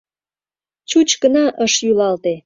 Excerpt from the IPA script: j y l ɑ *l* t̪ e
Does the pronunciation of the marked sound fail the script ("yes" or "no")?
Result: no